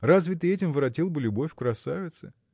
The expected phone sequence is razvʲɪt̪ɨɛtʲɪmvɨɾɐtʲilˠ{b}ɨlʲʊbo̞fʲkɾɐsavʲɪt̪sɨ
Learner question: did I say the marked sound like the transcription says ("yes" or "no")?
yes